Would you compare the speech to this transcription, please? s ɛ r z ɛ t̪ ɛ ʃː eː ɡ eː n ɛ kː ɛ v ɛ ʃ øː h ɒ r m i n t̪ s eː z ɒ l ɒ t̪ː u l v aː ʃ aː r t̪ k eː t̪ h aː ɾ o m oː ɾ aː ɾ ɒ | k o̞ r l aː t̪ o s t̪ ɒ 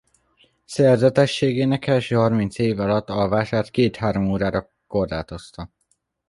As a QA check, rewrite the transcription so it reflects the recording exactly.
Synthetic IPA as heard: s ɛ r z ɛ t̪ ɛ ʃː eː ɡ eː n ɛ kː ɛ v ɛ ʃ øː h ɒ r m i n t̪ s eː v ɒ l ɒ t̪ː ɒ l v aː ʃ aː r t̪ k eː t̪ h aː ɾ o m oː ɾ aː ɾ ɒ | k o̞ r l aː t̪ o s t̪ ɒ